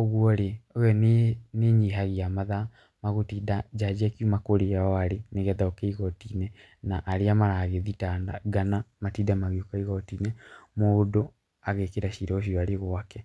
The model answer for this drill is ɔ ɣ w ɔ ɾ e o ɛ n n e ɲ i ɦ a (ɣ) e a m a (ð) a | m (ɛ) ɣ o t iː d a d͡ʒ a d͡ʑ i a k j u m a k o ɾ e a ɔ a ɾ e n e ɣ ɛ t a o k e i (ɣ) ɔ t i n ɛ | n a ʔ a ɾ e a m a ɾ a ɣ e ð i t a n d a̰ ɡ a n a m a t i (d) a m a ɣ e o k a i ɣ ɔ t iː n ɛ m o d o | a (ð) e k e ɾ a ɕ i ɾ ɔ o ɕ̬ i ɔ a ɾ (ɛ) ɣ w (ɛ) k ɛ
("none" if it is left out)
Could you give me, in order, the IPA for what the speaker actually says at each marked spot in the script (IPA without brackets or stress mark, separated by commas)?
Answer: ɣ, ð, a, ɣ, d, ɣ, e, a